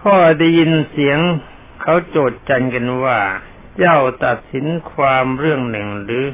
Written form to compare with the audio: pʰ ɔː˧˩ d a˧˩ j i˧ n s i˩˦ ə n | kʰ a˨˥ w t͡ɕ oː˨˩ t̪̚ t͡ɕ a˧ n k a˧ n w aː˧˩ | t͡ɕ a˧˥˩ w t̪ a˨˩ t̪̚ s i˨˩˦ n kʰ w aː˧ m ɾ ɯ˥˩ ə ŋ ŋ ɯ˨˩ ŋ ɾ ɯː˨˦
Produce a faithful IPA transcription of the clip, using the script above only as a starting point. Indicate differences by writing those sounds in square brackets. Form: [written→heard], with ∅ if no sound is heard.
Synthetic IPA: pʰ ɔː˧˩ d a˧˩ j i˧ n s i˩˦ ə [n→ŋ] | kʰ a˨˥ w t͡ɕ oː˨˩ t̪̚ t͡ɕ a˧ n k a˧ n w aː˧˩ | t͡ɕ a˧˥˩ w t̪ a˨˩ t̪̚ s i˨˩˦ n kʰ w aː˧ m ɾ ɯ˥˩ ə ŋ [ŋ→n] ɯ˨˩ ŋ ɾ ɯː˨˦